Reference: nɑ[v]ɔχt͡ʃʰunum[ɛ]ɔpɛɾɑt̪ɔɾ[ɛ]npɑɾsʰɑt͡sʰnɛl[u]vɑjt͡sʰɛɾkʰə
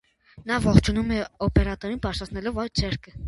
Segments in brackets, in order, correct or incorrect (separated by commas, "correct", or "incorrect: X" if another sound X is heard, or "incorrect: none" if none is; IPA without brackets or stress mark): correct, correct, incorrect: i, incorrect: ɔ